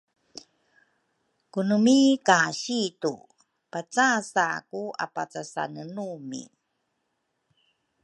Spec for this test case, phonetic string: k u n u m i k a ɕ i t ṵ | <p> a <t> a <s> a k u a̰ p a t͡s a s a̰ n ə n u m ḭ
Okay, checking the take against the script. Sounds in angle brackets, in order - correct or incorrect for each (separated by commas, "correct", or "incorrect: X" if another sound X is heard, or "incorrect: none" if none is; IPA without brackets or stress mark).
correct, incorrect: t͡s, correct